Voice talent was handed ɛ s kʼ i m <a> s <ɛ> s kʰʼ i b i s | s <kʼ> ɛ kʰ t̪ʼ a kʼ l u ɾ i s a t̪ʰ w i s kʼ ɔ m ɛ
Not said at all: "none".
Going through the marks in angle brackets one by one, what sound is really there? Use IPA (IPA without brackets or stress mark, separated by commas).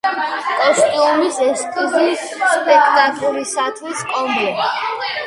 i, ɛ, pʼ